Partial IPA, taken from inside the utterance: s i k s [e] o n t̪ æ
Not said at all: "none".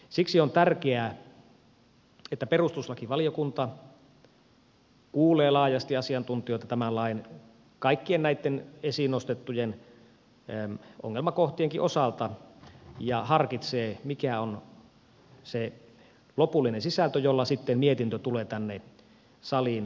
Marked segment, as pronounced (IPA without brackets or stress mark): i